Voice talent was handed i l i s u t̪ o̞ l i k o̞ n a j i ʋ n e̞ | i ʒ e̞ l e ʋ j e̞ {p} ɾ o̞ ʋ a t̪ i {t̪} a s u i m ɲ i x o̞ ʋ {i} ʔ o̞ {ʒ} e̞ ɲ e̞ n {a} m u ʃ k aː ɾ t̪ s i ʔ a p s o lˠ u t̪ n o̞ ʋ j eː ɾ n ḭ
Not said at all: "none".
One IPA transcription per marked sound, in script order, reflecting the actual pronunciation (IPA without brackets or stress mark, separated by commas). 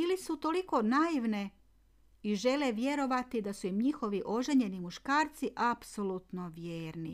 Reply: none, d̪, i, ʒ, i